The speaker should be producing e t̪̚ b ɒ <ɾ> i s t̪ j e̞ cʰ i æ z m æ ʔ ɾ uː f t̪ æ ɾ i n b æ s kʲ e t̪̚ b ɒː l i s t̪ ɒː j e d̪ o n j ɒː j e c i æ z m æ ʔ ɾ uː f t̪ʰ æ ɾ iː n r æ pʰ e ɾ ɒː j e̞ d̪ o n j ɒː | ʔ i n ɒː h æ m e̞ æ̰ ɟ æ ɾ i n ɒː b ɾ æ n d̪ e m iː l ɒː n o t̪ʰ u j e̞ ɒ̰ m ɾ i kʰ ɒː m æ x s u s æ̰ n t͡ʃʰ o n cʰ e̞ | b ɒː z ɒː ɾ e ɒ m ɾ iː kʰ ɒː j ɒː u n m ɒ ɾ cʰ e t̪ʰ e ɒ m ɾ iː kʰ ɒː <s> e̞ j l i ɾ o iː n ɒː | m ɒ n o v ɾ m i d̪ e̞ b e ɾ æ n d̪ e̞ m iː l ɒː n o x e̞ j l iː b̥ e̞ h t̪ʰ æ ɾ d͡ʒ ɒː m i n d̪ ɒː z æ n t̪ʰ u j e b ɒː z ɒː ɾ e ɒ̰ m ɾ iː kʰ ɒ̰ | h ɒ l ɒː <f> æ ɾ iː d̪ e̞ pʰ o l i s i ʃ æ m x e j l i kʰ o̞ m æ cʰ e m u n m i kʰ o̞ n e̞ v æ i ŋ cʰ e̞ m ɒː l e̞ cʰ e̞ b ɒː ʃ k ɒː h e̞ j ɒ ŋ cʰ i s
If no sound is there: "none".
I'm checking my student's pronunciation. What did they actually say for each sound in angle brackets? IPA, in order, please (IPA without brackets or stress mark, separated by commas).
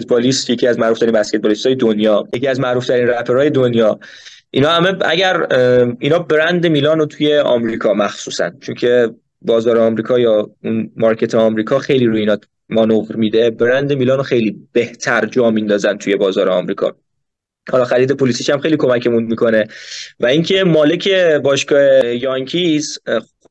l, x, x